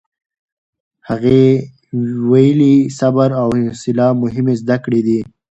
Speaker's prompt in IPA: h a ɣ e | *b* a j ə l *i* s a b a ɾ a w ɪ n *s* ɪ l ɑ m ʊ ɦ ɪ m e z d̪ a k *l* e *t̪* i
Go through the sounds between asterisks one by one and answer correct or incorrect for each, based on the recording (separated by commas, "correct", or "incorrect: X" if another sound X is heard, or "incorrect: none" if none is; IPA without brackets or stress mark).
incorrect: w, correct, correct, incorrect: ɽ, incorrect: d̪